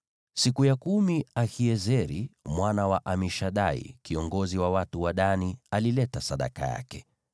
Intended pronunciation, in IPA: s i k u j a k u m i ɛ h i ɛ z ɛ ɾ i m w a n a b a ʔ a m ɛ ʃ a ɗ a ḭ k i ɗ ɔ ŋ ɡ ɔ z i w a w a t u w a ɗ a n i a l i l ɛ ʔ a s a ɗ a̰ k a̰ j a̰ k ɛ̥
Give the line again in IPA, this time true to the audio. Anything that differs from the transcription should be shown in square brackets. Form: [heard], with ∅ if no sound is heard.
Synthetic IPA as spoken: s i k u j a k u m i [a] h i ɛ z ɛ ɾ i m w a n a [w] a ʔ a m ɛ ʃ a ɗ a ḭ k i [∅] ɔ ŋ ɡ ɔ z i w a w a t u w a ɗ a n i a l i l ɛ [t] a s a ɗ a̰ k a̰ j a̰ k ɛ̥